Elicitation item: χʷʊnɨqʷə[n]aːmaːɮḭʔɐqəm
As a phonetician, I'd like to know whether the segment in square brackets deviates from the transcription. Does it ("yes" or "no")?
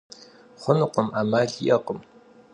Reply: yes